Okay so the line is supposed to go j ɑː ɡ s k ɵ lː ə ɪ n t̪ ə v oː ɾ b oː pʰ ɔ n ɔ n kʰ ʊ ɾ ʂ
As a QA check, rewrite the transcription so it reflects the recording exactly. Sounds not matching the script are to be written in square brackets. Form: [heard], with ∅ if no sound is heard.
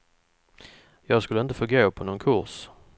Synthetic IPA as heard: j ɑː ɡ s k ɵ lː ə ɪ n t̪ ə [f] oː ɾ [ɡ] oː pʰ ɔ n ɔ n kʰ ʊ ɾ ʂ